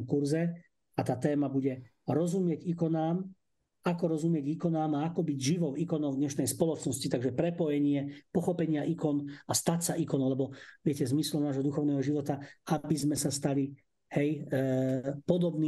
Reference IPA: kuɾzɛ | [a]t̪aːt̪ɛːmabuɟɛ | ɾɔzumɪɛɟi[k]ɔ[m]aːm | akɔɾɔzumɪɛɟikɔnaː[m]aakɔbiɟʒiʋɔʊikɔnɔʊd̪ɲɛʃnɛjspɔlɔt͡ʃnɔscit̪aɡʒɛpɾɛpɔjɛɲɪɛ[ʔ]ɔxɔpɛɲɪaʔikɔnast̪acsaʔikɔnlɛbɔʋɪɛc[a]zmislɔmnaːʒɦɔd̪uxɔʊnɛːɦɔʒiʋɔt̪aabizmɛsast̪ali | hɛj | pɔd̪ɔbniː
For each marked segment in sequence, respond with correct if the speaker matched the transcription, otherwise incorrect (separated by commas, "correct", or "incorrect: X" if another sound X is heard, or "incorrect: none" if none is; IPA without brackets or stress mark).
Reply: correct, correct, incorrect: n, correct, incorrect: p, incorrect: ɛ